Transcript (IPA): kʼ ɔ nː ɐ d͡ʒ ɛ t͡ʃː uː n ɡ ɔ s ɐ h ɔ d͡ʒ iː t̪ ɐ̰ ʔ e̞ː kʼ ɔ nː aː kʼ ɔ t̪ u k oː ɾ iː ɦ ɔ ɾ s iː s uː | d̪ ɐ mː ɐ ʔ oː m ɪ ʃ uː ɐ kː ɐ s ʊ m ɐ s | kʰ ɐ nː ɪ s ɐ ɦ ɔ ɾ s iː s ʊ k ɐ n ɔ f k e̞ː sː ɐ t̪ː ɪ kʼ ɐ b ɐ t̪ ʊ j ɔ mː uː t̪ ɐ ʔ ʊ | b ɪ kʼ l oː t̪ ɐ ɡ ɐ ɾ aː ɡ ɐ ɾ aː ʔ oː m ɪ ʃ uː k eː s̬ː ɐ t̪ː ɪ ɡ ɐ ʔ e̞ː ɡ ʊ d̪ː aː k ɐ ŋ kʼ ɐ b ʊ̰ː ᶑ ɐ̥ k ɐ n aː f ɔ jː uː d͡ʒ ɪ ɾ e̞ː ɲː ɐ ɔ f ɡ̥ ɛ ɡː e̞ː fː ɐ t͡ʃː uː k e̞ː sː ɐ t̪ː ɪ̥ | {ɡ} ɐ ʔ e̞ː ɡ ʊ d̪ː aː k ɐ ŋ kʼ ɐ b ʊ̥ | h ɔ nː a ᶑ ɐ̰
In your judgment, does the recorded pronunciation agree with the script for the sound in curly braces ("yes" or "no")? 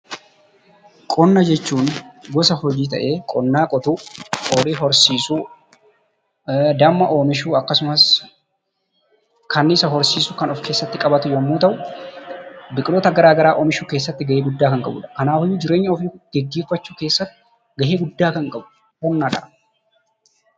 yes